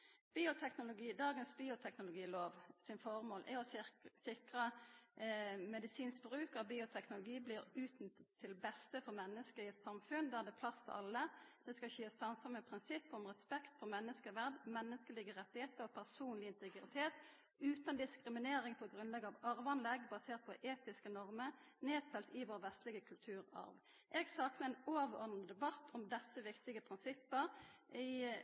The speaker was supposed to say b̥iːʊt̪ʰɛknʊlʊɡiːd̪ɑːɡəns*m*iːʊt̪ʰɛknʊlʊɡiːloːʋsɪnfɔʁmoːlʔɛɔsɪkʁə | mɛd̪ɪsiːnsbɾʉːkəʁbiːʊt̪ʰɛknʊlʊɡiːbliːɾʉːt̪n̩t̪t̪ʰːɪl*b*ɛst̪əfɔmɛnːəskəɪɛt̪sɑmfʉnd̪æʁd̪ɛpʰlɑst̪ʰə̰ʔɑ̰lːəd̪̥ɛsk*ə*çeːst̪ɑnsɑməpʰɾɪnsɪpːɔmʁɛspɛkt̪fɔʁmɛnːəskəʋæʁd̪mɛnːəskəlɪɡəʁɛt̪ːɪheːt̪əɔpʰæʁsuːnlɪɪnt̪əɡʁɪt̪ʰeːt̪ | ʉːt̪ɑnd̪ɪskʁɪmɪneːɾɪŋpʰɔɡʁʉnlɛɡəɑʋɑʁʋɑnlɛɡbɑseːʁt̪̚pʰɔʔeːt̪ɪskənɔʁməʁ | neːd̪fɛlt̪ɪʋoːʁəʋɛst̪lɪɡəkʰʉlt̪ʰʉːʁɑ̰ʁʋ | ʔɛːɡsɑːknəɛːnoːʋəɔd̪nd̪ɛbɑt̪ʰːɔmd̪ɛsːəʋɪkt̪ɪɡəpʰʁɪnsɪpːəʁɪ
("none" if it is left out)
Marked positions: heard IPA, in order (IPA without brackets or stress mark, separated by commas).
b, b, ɑ